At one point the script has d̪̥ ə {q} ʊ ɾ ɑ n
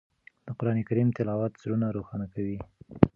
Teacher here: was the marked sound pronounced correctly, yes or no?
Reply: yes